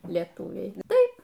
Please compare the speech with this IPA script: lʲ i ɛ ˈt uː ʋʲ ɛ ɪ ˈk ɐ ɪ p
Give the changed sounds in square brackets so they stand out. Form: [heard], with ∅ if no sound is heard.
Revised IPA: lʲ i ɛ ˈt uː ʋʲ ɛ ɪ [ˈt] ɐ ɪ p